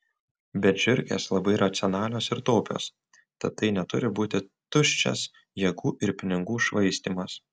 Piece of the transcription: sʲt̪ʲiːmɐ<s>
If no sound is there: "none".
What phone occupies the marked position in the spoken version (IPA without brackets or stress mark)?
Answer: s